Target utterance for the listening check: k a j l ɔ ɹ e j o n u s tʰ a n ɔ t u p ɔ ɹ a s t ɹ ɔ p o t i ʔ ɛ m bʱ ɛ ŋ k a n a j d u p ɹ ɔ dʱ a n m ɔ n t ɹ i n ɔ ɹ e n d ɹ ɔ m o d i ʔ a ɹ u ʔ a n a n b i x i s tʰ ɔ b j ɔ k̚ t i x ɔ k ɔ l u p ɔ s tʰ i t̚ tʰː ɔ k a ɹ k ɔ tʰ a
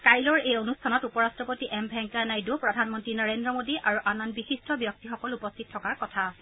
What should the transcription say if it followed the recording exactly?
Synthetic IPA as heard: k a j l ɔ ɹ e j o n u s tʰ a n ɔ t u p ɔ ɹ a s t ɹ ɔ p o t i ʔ ɛ m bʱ ɛ ŋ k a n a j d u p ɹ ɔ dʱ a n m ɔ n t ɹ i n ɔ ɹ e n d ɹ ɔ m o d i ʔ a ɹ u ʔ a n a n b i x i s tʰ ɔ b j ɔ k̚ t i x ɔ k ɔ l u p ɔ s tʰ i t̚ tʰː ɔ k a ɹ k ɔ tʰ a